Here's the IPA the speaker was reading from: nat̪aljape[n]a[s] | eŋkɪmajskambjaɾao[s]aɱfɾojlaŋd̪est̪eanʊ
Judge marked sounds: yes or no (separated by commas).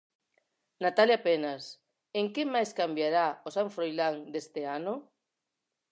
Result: yes, yes, yes